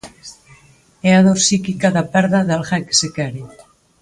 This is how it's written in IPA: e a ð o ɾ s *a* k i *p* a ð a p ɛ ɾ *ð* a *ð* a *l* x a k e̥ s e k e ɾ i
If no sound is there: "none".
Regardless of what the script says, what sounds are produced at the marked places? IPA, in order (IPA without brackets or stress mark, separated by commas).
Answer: i, k, ð, ð, l